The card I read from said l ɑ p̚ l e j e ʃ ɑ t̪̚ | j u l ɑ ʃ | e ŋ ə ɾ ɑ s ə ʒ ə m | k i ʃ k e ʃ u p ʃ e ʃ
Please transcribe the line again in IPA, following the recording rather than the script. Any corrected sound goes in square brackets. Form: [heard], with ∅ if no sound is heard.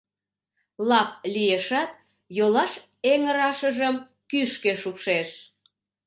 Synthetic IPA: l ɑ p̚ l [i] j e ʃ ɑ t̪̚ | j [o] l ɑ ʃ | e ŋ ə ɾ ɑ [ʃ] ə ʒ ə m | k [y] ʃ k e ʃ u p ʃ e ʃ